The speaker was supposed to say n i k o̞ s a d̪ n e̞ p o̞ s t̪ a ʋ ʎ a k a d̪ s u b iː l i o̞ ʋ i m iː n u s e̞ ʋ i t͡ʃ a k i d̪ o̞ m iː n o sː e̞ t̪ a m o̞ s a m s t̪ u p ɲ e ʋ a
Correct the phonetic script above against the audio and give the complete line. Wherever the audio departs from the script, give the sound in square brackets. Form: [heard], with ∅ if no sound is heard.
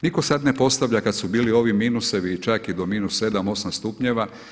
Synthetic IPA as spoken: n i k o̞ s a d̪ n e̞ p o̞ s t̪ a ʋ ʎ a k a d̪ s u b iː l i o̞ ʋ i m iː n u s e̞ ʋ i t͡ʃ a k i d̪ o̞ m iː n [u] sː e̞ [d̪] a m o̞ s a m s t̪ u p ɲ e ʋ a

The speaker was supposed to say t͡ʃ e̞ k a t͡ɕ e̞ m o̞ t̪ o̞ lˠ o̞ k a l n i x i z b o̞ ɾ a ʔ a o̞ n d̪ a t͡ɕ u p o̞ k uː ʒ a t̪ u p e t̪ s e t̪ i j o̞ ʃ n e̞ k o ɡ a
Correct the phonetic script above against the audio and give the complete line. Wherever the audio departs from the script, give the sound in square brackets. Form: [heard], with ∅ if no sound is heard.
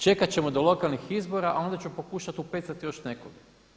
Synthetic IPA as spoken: t͡ʃ e̞ k a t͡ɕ e̞ m o̞ [d̪] o̞ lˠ o̞ k a l n i x i z b o̞ ɾ a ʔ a o̞ n d̪ a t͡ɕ u p o̞ k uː [ʃ] a t̪ u p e t̪ s [a] t̪ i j o̞ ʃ n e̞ k o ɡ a

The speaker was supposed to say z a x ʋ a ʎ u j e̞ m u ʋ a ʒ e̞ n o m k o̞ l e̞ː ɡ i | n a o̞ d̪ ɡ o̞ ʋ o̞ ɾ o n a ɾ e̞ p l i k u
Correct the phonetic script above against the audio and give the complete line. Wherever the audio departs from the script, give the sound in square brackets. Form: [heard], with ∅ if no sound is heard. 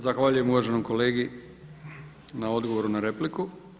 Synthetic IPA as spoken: z a x ʋ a ʎ u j e̞ m u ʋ a ʒ e̞ n o m k o̞ l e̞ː ɡ i | n a o̞ d̪ ɡ o̞ ʋ o̞ ɾ [u] n a ɾ e̞ p l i k u

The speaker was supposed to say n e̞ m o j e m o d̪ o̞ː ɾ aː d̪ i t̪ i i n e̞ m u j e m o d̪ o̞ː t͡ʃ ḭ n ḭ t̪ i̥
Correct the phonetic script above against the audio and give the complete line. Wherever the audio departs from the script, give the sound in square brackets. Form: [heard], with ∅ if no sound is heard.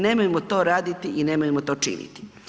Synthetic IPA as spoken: n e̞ m o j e m o [t̪] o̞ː ɾ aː d̪ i t̪ i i n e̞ m [o] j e m o [t̪] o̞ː t͡ʃ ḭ n ḭ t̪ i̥

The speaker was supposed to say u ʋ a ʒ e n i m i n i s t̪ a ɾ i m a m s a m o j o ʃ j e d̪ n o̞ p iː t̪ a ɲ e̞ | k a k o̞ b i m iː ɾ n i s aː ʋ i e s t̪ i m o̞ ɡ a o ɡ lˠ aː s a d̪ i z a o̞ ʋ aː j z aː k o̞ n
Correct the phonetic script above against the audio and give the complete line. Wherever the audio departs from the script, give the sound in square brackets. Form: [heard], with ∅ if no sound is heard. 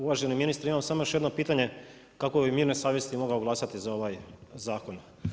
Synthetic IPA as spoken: u ʋ a ʒ e n i m i n i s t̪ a ɾ i m a m s a m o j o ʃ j e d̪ n o̞ p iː t̪ a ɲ e̞ | k a k o̞ b i m iː ɾ n [e] s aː ʋ [j] e s t̪ i m o̞ ɡ a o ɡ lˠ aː s a [t̪] i z a o̞ ʋ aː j z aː k o̞ n

